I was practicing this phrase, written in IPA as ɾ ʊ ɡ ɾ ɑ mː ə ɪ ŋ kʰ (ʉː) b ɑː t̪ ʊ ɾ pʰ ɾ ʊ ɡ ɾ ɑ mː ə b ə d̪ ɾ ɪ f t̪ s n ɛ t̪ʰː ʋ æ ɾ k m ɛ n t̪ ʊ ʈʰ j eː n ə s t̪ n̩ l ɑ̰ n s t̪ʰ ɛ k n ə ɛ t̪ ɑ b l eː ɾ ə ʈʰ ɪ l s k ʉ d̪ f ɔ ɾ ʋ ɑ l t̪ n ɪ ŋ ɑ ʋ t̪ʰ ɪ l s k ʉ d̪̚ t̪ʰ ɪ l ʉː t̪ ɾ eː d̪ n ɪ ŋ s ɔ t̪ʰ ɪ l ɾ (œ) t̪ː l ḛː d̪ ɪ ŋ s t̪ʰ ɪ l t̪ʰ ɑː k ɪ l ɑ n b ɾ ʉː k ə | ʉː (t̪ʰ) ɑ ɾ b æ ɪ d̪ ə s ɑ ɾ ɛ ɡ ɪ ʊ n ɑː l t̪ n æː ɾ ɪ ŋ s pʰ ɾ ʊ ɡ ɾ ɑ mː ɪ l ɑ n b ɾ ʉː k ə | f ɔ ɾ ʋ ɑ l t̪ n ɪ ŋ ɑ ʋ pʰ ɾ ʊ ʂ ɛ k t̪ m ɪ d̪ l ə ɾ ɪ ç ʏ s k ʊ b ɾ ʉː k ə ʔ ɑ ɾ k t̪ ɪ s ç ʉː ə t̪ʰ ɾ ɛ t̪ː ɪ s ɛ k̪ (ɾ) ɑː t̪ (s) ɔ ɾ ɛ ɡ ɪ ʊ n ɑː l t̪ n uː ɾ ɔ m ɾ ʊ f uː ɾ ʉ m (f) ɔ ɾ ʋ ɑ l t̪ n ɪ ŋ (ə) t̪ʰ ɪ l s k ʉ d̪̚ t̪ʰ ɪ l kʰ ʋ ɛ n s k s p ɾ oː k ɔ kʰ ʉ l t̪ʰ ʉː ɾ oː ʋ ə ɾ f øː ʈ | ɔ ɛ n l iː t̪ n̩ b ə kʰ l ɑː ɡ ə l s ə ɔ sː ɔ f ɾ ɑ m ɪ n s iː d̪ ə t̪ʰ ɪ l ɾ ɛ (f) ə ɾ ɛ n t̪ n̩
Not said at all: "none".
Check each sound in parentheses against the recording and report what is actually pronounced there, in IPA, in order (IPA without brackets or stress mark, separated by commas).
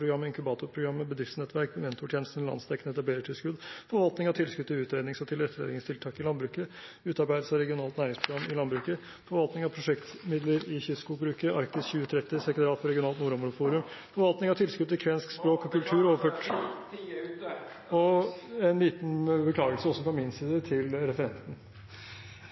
ʉ, ɛ, t̪, ɾ, f, f, ɑ, f